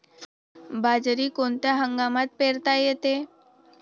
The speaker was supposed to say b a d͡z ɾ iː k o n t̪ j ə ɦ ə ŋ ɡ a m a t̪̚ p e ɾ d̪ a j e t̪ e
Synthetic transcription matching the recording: b a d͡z ɾ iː k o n t̪ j a ɦ ə ŋ ɡ a m a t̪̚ p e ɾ t̪ a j e t̪ e